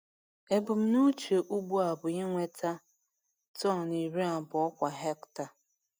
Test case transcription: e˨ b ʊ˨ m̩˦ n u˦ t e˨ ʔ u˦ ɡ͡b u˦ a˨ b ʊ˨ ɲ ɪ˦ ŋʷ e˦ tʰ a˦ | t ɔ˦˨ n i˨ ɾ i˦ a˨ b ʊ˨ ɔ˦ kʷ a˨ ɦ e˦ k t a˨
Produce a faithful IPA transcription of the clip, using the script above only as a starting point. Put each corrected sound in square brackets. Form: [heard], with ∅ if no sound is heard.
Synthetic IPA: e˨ b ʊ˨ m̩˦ n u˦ [t͡ʃ] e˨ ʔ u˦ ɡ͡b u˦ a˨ b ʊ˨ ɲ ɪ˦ ŋʷ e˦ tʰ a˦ | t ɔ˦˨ n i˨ ɾ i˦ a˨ b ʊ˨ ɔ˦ kʷ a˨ ɦ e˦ k t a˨